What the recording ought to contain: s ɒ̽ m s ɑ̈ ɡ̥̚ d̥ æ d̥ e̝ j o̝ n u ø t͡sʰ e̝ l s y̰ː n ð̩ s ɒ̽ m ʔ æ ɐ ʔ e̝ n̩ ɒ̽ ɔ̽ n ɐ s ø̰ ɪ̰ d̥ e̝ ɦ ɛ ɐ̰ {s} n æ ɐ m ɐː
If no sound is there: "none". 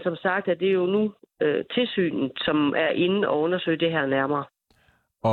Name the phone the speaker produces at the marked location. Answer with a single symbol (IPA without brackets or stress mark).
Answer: none